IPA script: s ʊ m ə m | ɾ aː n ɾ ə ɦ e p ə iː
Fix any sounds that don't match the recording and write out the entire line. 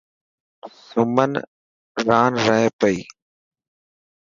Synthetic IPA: s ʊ m ə n | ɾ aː n ɾ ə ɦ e p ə iː